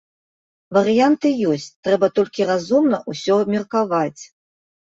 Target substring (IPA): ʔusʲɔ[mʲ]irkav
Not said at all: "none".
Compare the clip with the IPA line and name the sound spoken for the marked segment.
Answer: mʲ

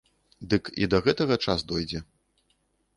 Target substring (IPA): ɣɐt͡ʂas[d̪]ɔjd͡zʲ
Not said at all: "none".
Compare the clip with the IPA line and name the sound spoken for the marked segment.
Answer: d̪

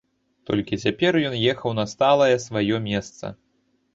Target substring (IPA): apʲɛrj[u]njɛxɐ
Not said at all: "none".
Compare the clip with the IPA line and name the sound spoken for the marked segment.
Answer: ɔ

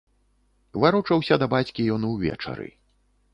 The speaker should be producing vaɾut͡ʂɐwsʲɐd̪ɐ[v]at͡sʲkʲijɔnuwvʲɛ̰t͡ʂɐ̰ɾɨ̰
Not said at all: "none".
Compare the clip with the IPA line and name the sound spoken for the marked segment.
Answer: b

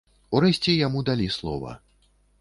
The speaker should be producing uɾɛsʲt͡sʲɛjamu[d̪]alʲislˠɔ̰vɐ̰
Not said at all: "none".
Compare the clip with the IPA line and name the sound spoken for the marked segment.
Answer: d̪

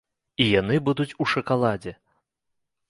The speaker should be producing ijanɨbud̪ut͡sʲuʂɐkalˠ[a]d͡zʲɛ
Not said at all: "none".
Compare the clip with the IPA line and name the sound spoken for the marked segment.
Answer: a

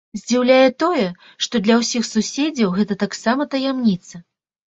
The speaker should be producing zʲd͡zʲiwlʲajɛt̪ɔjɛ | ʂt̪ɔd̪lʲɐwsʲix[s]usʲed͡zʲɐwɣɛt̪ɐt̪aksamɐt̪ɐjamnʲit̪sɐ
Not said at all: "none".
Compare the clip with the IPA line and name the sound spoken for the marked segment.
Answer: s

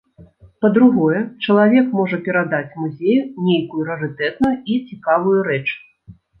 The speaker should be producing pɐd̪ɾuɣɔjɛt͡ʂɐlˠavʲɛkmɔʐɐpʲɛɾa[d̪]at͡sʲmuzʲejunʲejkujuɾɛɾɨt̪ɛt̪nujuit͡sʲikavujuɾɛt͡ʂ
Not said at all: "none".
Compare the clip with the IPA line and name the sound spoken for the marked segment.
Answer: d̪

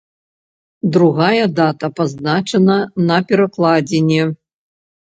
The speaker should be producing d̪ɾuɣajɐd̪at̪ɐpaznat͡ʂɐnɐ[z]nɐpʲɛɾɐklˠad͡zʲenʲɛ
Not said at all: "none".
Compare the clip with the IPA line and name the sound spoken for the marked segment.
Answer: none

